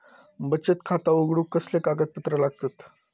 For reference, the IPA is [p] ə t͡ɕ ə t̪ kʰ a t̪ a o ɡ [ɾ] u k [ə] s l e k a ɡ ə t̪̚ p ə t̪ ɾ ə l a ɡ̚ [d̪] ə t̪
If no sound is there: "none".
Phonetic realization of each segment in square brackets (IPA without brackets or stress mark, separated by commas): b, ɽ, ə, t̪